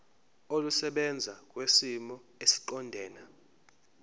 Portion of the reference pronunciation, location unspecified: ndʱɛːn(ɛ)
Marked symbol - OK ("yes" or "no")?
no